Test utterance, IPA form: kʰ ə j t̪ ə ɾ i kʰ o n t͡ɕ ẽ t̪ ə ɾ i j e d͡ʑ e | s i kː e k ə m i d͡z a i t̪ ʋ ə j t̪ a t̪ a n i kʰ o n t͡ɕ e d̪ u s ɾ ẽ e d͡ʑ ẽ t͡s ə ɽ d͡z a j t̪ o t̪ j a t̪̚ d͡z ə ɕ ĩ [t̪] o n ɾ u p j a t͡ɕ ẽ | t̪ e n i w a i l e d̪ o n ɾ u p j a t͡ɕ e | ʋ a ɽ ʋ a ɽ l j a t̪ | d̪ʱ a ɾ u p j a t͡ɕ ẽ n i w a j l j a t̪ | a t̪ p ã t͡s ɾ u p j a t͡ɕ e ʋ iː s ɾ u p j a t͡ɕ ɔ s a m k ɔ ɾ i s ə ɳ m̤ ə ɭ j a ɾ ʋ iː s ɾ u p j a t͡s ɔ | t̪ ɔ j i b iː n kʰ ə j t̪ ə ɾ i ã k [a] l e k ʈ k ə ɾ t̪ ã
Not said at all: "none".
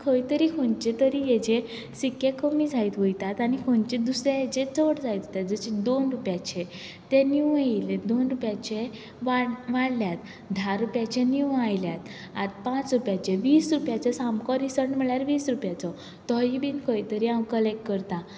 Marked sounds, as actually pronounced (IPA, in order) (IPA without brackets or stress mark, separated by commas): d̪, ə